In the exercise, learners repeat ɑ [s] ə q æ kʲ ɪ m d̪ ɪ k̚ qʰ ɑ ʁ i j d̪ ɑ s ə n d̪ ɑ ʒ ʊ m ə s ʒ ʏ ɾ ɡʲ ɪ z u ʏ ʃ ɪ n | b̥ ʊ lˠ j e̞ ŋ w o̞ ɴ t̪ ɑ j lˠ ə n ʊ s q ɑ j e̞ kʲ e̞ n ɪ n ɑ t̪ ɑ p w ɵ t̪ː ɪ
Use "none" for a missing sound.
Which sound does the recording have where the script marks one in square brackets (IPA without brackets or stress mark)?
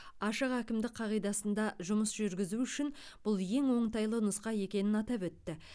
ʃ